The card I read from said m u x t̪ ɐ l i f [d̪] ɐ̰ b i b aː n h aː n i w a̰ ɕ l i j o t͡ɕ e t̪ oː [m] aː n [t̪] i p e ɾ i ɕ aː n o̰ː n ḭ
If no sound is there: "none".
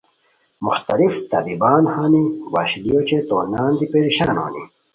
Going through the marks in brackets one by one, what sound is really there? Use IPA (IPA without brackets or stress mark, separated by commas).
t̪, n, d̪